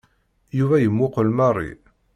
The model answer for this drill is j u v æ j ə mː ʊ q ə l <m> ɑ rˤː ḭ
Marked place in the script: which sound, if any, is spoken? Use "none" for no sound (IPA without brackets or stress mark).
m